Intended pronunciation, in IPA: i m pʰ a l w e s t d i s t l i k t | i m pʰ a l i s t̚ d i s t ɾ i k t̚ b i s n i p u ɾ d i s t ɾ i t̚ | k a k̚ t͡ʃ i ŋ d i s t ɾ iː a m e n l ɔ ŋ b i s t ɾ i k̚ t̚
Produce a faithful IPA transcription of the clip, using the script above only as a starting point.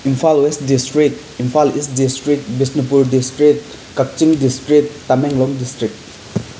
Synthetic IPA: i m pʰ a l w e s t d i s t ɾ i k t | i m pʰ a l i s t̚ d i s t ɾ i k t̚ b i s n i p u ɾ d i s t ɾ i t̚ | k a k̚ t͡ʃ i ŋ d i s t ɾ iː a m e ŋ l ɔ ŋ d i s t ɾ i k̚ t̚